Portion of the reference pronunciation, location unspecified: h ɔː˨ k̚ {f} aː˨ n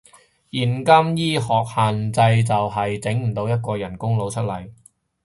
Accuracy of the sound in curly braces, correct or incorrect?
incorrect